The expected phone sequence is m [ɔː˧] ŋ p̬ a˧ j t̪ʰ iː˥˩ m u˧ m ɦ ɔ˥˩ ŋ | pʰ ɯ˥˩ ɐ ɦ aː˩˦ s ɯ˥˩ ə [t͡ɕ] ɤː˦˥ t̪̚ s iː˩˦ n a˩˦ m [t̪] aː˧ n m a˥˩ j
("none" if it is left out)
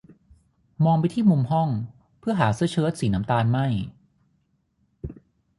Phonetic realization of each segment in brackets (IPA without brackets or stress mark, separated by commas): ɔː˧, t͡ɕʰ, t̪